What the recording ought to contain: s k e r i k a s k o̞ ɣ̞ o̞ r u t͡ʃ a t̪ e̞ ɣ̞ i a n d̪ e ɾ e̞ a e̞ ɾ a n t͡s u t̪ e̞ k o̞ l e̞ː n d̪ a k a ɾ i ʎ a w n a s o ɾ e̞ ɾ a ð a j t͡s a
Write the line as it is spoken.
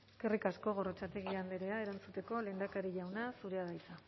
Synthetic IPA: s k e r i k a s k o̞ ɣ̞ o̞ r o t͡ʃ a t̪ e̞ ɣ̞ i a n d̪ e ɾ e̞ a e̞ ɾ a n t͡s u t̪ e̞ k o̞ l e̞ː n d̪ a k a ɾ i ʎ a w n a s u ɾ e̞ a ð a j t͡s a